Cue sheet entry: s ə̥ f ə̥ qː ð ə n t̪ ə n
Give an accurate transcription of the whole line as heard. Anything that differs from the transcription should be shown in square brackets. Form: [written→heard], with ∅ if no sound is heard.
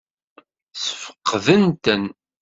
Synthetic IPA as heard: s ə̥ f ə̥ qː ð ə n t̪ ə n